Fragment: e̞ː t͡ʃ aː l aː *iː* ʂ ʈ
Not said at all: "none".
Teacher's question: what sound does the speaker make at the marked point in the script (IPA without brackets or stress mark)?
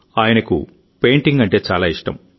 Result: i